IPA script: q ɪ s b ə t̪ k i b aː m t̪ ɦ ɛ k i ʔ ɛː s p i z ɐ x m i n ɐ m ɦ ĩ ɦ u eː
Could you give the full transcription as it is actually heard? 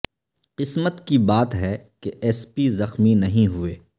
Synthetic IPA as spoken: q ɪ s m ə t̪ k i b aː t̪ ɦ ɛ k e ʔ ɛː s p i z ɐ x m i n ɐ ɦ ĩ ɦ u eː